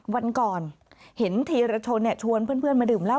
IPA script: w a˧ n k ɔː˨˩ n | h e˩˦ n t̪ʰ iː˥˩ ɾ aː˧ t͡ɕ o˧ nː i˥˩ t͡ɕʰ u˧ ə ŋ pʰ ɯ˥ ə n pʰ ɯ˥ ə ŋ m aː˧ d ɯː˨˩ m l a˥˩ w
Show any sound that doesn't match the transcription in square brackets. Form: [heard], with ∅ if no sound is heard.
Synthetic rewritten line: w a˧ n k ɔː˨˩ n | h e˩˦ n t̪ʰ [iː˧] ɾ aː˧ [t͡ɕʰ] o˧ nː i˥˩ t͡ɕʰ u˧ ə [n] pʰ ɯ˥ ə n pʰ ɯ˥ ə [n] m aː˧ d ɯː˨˩ m l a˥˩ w

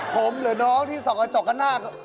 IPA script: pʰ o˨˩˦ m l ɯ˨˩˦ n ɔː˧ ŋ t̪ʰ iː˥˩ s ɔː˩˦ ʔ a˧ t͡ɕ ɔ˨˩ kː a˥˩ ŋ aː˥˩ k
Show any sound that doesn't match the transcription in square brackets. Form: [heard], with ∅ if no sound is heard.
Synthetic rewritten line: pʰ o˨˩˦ m l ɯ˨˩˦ n [ɔː˦˥] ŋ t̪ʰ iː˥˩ s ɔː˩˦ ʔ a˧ t͡ɕ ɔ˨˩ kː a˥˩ [n] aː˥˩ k

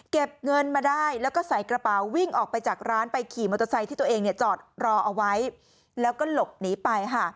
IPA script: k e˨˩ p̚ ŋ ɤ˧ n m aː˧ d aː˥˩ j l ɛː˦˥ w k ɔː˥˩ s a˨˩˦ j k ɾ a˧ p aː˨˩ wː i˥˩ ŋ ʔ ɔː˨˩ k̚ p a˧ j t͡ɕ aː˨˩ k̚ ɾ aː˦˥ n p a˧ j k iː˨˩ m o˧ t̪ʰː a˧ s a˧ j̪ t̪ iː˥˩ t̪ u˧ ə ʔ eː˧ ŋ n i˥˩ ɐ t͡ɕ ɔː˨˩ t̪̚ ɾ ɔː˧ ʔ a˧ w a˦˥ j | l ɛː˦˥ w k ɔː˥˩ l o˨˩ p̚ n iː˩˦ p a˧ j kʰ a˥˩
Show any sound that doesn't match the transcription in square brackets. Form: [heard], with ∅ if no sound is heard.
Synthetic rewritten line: k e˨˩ p̚ ŋ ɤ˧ n m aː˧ d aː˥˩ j l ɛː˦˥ w k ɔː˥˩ s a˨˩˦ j k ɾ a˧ p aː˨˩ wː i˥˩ ŋ ʔ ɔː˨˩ k̚ p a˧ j t͡ɕ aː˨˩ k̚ ɾ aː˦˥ n p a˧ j [kʰ] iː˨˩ m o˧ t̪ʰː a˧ s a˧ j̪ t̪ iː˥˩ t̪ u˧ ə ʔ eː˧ ŋ n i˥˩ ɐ t͡ɕ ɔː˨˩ t̪̚ ɾ ɔː˧ ʔ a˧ w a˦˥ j | l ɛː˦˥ w k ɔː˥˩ l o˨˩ p̚ n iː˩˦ p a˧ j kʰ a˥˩

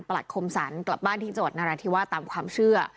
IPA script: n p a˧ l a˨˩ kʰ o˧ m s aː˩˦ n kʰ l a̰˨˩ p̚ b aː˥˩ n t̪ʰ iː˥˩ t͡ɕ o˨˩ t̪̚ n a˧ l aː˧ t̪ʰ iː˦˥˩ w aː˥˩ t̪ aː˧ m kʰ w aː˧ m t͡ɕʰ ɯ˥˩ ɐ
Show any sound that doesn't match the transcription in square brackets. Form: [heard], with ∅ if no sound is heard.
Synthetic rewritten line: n p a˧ l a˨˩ kʰ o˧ m s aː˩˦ n [k] l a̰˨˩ p̚ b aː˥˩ n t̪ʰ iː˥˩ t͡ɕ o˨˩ t̪̚ n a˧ [ɾ] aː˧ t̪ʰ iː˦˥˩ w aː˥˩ t̪ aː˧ m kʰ w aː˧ m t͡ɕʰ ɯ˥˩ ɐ

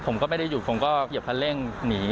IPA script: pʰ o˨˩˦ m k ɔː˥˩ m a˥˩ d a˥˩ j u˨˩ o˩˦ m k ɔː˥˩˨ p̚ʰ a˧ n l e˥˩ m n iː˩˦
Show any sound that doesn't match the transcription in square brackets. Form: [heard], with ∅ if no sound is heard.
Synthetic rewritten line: pʰ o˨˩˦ m k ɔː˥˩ m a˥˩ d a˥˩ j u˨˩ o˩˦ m k ɔː˥˩˨ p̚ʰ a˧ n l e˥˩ [ŋ] n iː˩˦

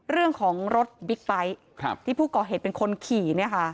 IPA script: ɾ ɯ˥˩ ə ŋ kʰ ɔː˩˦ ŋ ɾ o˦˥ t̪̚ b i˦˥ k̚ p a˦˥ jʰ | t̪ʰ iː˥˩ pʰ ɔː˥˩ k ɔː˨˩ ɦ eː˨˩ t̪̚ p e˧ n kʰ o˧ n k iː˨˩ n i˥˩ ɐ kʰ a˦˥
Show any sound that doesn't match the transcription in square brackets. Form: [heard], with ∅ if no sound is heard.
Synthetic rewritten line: ɾ ɯ˥˩ ə ŋ kʰ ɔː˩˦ ŋ ɾ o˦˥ t̪̚ b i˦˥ k̚ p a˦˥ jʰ | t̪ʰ iː˥˩ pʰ [uː˥˩] k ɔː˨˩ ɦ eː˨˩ t̪̚ p e˧ n kʰ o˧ n [kʰ] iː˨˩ n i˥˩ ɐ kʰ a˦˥

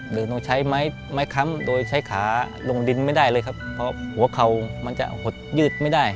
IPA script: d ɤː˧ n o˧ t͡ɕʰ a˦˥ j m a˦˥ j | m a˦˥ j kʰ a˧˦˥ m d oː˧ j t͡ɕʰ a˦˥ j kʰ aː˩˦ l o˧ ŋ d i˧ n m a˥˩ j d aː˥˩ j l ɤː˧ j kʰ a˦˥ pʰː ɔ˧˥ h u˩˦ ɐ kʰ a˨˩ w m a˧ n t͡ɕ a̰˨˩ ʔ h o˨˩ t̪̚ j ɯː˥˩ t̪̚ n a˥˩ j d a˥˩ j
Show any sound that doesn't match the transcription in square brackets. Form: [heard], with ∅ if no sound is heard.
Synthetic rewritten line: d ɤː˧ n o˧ t͡ɕʰ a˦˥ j m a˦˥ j | m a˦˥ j kʰ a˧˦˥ m d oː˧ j t͡ɕʰ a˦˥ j kʰ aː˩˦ l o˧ ŋ d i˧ n m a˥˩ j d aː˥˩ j l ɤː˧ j kʰ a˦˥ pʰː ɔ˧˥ h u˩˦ ɐ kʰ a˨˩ w m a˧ n t͡ɕ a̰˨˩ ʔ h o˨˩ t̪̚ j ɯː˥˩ t̪̚ [m] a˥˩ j d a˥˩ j

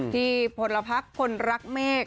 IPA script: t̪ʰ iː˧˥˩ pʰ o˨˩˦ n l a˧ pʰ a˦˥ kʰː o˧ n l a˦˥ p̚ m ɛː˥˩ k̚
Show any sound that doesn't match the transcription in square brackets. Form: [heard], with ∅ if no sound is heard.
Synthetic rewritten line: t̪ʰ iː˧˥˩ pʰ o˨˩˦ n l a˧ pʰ a˦˥ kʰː o˧ n [ɾ] a˦˥ [k̚] m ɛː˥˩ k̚

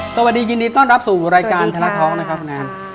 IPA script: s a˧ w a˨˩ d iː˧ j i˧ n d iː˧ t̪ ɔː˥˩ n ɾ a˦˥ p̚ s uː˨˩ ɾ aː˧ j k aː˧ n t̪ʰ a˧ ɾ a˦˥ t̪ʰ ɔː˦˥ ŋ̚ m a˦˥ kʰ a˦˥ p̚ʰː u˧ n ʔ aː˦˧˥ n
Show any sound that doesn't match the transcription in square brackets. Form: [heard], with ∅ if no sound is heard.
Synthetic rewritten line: s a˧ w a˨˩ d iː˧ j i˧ n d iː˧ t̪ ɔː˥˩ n ɾ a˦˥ p̚ s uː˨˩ ɾ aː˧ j k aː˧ n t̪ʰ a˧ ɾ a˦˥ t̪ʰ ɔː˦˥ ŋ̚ [n] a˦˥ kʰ a˦˥ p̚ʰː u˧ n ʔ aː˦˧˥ n

